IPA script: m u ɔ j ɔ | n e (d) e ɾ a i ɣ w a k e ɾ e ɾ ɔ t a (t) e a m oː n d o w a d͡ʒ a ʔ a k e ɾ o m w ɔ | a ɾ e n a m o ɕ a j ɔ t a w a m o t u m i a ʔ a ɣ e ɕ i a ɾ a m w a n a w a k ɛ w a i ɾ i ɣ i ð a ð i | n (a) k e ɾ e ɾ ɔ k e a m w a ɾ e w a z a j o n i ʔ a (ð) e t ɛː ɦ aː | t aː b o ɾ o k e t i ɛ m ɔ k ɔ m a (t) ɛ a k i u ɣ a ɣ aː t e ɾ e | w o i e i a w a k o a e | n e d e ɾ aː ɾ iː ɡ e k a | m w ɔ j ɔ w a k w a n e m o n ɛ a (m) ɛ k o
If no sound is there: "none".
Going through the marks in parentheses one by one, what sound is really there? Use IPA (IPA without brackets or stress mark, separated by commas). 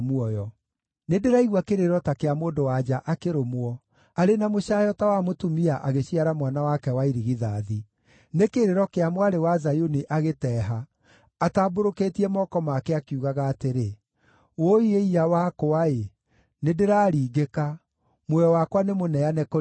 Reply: d, k, e, ɣ, k, n